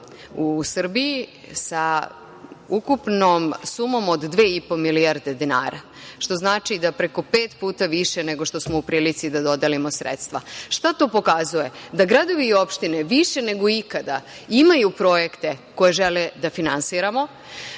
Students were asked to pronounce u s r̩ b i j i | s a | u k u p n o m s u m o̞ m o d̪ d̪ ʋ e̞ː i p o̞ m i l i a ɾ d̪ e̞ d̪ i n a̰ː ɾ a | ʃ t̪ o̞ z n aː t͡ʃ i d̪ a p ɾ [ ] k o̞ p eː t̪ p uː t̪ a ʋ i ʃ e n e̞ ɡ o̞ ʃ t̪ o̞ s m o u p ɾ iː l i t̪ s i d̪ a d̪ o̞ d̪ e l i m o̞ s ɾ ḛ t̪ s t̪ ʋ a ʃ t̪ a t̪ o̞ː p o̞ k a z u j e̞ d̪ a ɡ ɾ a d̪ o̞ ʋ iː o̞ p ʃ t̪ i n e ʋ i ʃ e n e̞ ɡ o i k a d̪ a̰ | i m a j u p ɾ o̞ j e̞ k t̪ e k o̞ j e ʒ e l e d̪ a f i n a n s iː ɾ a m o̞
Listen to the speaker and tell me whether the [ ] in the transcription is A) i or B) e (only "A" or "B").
B